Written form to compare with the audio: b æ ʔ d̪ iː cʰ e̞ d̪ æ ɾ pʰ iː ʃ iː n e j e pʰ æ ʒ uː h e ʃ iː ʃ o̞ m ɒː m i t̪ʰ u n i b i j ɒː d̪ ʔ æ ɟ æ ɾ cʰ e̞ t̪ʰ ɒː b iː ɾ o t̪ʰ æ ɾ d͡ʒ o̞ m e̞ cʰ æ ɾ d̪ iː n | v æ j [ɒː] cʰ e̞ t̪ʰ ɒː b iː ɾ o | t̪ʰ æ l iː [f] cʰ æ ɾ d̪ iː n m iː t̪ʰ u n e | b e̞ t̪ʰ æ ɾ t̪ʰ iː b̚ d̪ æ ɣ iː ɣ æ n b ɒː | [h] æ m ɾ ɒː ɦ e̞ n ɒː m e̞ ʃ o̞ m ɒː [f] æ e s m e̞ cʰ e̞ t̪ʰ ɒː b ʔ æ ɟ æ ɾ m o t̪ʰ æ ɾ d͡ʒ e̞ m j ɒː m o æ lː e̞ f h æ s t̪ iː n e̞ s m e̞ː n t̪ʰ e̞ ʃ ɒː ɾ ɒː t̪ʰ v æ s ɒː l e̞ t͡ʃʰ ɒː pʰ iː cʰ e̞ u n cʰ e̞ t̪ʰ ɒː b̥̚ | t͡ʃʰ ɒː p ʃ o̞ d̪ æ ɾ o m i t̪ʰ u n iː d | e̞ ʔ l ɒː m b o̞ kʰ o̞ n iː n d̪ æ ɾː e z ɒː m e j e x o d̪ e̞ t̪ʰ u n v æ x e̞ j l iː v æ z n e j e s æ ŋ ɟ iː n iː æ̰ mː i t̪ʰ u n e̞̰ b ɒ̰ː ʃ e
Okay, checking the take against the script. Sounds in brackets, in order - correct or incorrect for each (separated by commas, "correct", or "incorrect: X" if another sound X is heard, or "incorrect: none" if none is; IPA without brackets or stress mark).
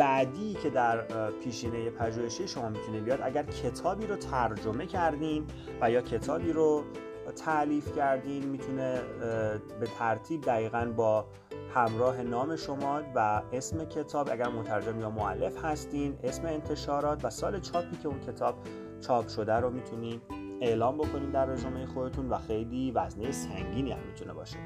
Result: correct, correct, correct, incorrect: v